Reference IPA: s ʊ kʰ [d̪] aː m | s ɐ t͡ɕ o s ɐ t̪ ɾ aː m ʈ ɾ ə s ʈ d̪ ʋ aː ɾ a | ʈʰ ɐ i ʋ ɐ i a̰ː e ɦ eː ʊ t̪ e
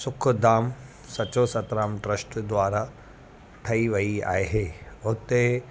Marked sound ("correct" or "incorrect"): correct